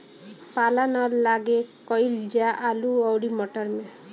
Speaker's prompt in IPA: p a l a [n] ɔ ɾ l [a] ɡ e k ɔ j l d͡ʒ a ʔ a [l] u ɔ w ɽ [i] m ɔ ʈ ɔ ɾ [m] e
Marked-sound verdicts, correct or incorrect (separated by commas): correct, correct, correct, correct, correct